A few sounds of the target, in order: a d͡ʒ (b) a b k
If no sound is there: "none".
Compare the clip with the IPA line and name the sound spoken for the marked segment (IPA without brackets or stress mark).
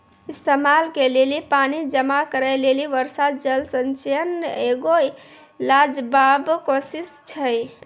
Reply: b